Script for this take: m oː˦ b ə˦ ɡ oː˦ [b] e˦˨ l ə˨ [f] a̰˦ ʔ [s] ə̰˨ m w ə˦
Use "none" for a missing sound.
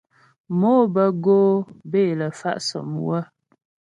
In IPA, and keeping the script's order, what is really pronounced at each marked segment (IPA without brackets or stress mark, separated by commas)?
b, f, s